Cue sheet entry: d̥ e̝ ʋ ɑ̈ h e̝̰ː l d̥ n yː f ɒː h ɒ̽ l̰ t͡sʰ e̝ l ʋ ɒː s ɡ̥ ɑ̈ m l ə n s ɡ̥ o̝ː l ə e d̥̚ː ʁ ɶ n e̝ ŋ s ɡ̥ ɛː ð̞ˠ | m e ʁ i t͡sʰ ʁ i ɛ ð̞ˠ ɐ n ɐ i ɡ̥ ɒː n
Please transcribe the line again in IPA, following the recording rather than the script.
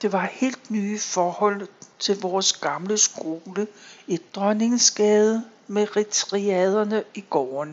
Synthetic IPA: d̥ e̝ ʋ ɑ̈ h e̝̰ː l d̥ n yː f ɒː h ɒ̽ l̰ t͡sʰ e̝ l ʋ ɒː s ɡ̥ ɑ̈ m l ə s ɡ̥ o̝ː l ə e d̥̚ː ʁ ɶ n e̝ ŋ s ɡ̥ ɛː ð̞ˠ | m e ʁ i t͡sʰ ʁ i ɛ ð̞ˠ ɐ n ə i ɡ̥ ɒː n